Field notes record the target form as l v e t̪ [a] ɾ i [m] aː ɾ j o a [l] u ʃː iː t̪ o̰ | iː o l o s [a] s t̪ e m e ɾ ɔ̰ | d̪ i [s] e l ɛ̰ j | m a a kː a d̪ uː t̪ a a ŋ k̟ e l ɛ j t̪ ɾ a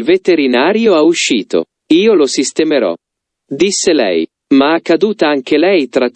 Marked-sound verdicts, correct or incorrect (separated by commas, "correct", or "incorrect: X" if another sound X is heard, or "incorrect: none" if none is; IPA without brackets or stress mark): incorrect: e, incorrect: n, incorrect: none, incorrect: i, incorrect: sː